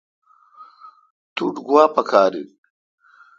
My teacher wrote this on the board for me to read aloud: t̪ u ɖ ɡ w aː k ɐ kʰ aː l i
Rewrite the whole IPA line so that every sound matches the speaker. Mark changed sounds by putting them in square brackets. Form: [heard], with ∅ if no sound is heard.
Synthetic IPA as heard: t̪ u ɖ ɡ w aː [p] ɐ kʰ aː [ɾ] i